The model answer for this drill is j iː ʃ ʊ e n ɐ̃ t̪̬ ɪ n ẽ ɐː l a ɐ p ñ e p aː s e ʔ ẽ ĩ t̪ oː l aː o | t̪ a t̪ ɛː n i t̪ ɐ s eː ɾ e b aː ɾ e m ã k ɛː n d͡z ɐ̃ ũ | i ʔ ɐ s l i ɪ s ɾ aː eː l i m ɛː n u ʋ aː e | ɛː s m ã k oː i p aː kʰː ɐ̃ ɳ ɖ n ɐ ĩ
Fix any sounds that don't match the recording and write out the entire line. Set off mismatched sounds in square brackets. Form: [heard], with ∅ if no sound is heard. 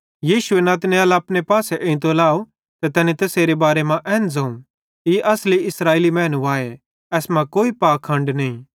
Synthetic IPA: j iː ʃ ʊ e n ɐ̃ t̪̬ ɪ n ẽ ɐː l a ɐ p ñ e p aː s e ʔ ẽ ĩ t̪ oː l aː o | t̪ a t̪ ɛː n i t̪ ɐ s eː ɾ e b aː ɾ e m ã [ʔ] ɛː n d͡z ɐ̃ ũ | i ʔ ɐ s l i ɪ s ɾ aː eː l i m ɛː n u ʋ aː e | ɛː s m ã k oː i p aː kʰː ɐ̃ ɳ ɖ n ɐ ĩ